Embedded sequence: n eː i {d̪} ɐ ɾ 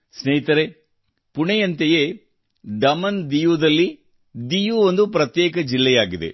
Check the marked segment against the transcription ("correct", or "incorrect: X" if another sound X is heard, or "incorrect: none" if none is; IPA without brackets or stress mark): incorrect: t̪